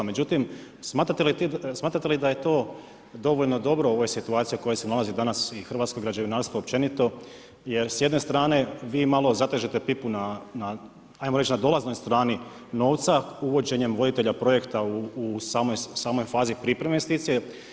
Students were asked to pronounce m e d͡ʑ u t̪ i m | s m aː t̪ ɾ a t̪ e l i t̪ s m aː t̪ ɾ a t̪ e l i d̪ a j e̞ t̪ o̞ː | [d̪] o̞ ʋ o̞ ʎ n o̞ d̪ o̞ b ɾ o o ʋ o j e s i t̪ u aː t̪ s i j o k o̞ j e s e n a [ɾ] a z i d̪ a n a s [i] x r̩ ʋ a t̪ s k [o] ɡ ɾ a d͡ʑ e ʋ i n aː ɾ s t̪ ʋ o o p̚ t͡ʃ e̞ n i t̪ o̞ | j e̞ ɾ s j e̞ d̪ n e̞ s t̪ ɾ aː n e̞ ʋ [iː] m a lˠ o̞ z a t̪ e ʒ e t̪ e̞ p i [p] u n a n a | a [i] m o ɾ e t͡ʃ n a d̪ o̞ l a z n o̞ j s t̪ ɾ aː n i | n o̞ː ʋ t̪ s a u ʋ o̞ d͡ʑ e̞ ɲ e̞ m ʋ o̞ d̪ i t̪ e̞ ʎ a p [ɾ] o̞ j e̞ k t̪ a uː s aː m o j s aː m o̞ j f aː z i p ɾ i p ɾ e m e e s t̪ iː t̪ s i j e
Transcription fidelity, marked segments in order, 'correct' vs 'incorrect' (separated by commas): correct, incorrect, correct, correct, correct, correct, incorrect, correct